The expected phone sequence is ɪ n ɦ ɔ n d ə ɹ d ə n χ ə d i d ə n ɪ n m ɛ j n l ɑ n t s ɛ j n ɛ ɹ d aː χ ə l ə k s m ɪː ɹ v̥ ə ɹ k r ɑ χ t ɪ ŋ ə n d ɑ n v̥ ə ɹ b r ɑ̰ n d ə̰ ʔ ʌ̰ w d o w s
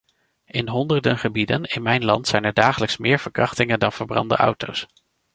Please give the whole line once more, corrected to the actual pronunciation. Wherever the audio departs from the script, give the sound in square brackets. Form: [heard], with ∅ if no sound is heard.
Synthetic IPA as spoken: ɪ n ɦ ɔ n d ə ɹ d ə n χ ə [b] i d ə n ɪ n m ɛ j n l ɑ n t s ɛ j n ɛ ɹ d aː χ ə l ə k s m ɪː ɹ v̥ ə ɹ k r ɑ χ t ɪ ŋ ə n d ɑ n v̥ ə ɹ b r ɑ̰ n d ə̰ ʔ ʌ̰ w [t] o w s